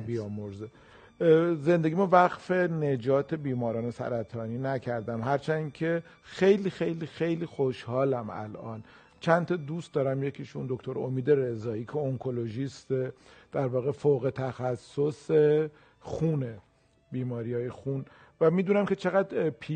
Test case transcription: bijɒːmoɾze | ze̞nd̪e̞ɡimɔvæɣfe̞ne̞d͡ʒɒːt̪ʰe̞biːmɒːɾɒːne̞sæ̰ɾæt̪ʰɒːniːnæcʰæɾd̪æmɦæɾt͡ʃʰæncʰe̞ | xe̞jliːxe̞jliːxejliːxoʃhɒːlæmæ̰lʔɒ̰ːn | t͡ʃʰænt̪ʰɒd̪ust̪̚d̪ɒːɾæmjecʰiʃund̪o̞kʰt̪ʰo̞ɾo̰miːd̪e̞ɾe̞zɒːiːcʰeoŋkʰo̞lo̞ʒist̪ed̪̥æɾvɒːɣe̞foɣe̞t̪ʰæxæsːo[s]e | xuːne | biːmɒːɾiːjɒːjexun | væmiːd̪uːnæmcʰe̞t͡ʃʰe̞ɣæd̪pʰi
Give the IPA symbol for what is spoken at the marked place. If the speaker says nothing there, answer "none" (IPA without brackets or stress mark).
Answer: s